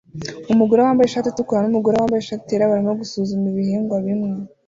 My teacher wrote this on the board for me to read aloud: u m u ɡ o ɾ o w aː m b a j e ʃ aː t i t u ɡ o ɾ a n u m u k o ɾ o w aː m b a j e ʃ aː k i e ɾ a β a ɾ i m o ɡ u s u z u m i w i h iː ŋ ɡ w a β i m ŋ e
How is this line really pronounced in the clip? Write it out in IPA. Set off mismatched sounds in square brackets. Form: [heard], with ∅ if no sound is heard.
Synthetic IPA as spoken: u m u ɡ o ɾ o w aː m b a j e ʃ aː t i t u [k] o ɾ a n u m u [ɡ] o ɾ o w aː m b a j e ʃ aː [t] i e ɾ a β a ɾ i m o ɡ u s u z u m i [β] i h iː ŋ ɡ w a β i m ŋ e